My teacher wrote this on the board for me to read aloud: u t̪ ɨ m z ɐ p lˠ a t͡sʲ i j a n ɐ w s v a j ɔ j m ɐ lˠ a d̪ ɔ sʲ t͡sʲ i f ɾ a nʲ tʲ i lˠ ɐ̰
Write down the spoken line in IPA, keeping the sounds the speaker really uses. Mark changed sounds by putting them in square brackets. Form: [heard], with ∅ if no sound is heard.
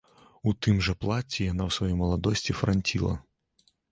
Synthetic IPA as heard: u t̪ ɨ m [ʐ] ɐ p lˠ a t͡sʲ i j a n [a] w s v a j ɔ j m ɐ lˠ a d̪ ɔ sʲ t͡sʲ i f ɾ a nʲ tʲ i lˠ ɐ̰

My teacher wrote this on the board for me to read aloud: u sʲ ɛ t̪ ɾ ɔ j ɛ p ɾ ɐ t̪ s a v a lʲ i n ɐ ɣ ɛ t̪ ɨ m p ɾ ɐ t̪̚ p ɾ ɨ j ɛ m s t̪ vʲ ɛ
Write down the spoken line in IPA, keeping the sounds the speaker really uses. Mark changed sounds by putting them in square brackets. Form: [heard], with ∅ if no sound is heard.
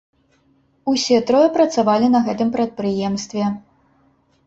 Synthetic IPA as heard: u sʲ ɛ t̪ ɾ ɔ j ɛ p ɾ ɐ t̪ s a v a lʲ i n ɐ ɣ ɛ t̪ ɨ m p ɾ ɐ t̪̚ p ɾ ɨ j ɛ m s t̪ vʲ ɛ

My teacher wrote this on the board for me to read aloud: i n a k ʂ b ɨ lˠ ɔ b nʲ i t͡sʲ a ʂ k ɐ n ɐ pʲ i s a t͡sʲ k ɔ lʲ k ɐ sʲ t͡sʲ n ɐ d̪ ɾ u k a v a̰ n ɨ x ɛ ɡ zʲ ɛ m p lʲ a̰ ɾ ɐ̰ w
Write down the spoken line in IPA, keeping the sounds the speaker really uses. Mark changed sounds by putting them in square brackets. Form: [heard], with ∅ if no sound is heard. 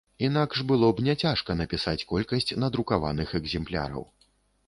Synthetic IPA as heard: i n a k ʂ b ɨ lˠ ɔ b nʲ [ɛ] t͡sʲ a ʂ k ɐ n ɐ pʲ i s a t͡sʲ k ɔ lʲ k ɐ sʲ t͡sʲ n ɐ d̪ ɾ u k a v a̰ n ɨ x ɛ ɡ zʲ ɛ m p lʲ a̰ ɾ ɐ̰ w

